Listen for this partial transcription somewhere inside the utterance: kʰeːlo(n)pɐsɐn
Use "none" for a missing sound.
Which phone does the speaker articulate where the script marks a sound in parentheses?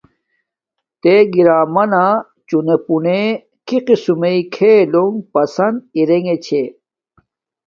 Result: ŋ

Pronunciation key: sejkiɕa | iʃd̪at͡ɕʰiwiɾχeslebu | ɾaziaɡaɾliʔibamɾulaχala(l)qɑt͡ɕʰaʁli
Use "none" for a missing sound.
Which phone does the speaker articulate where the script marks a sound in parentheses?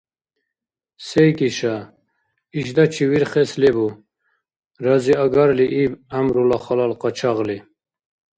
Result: l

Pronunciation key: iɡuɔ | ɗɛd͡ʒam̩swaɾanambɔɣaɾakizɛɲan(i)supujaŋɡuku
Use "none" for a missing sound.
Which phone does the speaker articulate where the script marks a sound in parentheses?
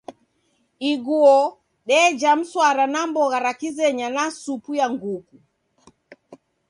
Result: a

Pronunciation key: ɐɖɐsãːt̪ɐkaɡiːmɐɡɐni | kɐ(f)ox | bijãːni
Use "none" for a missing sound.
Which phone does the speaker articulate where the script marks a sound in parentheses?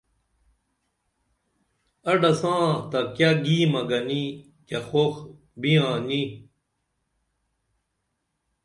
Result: x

